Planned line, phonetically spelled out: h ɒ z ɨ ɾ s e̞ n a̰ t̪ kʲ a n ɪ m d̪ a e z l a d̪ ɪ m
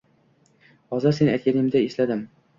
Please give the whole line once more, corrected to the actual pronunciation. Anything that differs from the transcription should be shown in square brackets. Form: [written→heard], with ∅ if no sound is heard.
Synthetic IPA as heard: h ɒ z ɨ ɾ s e̞ n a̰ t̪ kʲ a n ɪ m d̪ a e [z→s] l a d̪ ɪ m